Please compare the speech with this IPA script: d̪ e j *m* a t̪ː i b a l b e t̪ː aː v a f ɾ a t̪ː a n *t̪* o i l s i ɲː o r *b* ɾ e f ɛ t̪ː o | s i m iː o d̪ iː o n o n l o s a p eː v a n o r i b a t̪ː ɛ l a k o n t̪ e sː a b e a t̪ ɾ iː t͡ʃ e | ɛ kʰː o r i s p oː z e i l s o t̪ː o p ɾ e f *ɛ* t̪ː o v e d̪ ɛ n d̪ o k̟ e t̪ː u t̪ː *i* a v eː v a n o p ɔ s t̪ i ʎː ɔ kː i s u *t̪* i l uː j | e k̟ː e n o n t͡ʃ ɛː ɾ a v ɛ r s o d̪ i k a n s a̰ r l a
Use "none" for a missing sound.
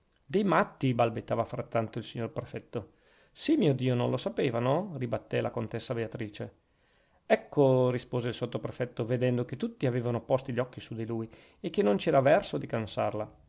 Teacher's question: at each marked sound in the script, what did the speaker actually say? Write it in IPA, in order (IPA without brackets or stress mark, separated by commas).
m, t̪, p, ɛ, i, d̪